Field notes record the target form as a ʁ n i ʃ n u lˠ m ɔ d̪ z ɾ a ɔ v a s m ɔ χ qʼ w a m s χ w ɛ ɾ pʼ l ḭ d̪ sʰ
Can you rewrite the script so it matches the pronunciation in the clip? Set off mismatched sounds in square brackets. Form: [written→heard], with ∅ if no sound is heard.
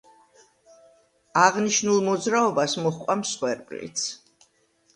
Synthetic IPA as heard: a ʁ n i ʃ n u lˠ m ɔ d̪ z ɾ a ɔ [v→b] a s m ɔ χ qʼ w a m s χ w ɛ ɾ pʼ l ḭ [d̪→t̪] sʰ